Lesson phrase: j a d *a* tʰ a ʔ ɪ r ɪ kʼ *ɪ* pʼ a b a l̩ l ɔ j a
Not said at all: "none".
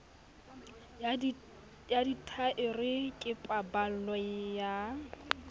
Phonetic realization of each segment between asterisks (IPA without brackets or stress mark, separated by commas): i, ɪ